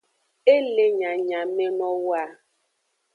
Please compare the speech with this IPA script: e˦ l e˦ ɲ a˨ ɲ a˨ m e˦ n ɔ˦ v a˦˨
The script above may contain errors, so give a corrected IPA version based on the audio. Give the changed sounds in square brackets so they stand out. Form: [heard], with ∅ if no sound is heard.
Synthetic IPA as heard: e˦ l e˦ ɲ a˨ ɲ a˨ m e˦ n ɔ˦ [w] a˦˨